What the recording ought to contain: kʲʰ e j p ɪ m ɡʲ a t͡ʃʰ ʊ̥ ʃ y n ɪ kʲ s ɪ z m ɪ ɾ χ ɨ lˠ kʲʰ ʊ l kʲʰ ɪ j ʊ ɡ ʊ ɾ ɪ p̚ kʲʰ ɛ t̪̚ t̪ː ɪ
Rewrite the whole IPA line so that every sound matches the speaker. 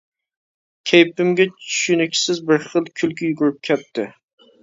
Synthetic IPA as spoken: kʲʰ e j p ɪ m ɡʲ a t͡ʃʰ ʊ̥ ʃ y n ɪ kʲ s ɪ z b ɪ ɾ χ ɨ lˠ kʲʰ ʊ l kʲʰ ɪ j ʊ ɡ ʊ ɾ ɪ p̚ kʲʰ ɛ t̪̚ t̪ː ɪ